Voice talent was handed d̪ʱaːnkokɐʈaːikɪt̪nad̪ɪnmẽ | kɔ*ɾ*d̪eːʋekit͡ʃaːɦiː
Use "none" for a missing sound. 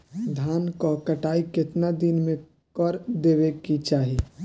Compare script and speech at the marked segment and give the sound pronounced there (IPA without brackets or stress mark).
ɾ